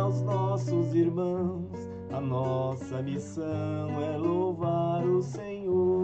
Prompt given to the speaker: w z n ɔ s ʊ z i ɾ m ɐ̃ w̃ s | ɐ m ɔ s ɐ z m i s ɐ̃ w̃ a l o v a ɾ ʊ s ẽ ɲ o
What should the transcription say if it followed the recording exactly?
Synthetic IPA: w z n ɔ s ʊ z i ɾ m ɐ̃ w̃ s | ɐ n ɔ s ɐ m i s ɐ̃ w̃ ɛ l o v a ɾ ʊ s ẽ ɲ o